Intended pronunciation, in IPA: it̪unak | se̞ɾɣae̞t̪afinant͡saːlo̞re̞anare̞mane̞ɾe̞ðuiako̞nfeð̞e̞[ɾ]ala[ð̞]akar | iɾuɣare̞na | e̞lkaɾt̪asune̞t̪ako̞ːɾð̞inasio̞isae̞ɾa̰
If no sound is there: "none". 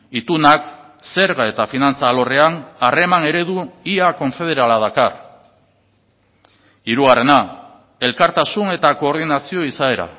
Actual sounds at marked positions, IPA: ɾ, ð̞

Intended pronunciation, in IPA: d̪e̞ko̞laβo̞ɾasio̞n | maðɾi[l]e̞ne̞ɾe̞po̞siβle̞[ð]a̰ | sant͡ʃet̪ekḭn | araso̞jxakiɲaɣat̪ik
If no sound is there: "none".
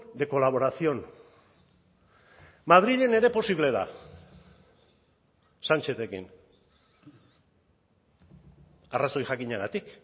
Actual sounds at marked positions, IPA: ʎ, ð

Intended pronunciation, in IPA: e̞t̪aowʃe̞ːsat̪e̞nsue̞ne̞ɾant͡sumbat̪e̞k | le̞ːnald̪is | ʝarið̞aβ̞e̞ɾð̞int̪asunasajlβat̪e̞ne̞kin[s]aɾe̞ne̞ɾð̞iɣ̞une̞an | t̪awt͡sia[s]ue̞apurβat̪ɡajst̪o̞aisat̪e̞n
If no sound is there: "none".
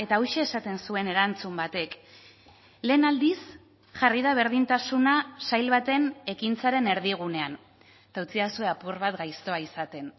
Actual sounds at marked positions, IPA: t͡s, s

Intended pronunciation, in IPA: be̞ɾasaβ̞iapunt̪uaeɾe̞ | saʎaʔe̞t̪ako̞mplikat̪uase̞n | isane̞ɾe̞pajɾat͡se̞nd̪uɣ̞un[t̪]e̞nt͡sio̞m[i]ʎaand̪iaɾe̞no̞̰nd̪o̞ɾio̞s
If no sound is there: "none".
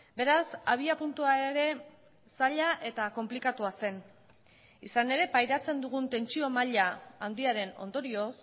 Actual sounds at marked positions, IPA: t̪, a

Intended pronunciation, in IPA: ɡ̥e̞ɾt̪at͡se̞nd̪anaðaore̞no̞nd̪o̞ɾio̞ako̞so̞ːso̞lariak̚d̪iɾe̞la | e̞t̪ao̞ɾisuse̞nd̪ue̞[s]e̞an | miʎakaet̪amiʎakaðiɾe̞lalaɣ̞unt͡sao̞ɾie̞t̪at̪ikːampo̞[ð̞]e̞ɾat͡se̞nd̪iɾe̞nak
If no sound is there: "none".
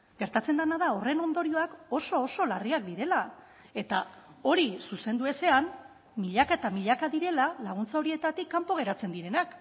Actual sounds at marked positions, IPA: s, ɣ̞

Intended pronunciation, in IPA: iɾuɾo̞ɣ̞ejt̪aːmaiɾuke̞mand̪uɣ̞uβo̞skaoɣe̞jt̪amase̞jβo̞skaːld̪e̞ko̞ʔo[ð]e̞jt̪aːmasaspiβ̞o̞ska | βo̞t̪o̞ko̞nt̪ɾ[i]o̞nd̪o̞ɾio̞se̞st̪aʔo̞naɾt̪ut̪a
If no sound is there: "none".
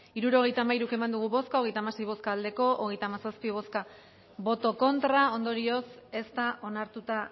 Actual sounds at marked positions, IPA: ɣ, a

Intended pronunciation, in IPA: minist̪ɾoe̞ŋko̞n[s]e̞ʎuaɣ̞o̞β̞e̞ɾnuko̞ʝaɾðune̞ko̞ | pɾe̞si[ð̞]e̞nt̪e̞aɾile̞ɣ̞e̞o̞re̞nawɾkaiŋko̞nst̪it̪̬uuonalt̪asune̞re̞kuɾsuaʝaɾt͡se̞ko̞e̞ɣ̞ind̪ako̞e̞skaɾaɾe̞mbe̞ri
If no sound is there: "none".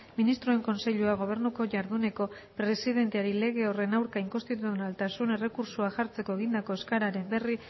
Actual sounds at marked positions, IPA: s, ð̞

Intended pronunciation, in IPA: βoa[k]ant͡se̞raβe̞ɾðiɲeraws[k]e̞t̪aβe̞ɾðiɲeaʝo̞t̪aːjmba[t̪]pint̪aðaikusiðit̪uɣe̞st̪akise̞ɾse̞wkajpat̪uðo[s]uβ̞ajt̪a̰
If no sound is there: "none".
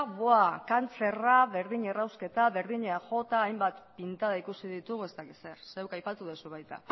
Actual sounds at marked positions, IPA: k, k, t̪, s

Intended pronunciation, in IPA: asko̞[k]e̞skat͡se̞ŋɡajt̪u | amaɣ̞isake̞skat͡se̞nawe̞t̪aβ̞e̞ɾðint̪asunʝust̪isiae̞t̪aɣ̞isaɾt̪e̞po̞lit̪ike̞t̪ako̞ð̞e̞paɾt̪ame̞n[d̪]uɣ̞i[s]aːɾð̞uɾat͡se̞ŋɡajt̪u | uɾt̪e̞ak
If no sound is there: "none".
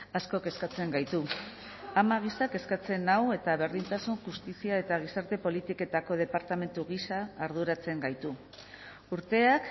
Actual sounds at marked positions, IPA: k, t̪, s

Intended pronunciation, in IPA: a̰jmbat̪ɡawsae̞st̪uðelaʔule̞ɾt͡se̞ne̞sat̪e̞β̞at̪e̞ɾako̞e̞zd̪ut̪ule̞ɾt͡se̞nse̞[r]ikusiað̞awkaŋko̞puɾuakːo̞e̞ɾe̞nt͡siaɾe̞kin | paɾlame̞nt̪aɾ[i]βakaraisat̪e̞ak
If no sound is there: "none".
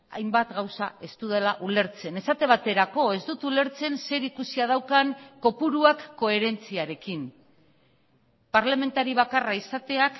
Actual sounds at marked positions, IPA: ɾ, i

